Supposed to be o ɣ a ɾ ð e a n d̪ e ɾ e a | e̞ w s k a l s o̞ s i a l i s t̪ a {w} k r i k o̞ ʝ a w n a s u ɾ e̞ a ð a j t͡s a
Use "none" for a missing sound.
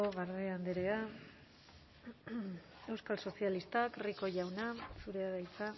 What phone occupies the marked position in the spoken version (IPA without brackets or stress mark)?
none